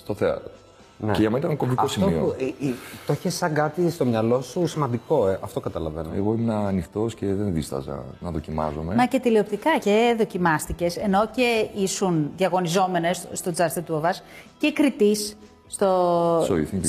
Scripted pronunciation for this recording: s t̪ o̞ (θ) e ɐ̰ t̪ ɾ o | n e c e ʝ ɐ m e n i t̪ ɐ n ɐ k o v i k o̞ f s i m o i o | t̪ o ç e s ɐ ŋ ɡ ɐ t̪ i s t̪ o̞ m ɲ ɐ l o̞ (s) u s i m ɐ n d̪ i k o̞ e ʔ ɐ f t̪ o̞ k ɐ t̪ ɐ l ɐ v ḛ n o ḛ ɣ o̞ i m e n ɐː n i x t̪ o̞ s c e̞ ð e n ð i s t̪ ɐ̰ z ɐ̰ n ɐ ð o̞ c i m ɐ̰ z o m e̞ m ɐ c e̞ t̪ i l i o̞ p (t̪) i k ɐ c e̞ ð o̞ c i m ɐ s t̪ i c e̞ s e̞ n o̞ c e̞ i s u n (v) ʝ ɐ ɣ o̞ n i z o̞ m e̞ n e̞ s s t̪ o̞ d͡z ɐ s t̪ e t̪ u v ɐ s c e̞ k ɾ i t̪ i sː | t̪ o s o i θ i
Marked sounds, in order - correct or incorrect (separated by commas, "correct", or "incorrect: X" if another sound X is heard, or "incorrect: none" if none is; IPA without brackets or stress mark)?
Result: correct, correct, correct, incorrect: ð